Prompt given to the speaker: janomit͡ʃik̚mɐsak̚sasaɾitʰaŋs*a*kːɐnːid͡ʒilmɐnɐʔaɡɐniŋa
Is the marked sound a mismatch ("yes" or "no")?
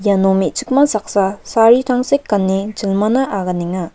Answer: yes